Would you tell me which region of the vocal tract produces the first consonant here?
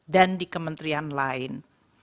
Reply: tongue tip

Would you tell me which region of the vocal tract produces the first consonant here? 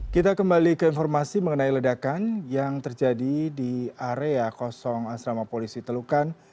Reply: velum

